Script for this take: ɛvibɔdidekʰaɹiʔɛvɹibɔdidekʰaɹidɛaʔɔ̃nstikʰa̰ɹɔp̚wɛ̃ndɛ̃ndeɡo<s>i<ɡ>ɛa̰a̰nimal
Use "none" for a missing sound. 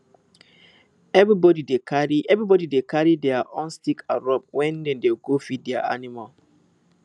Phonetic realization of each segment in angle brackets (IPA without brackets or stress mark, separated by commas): f, d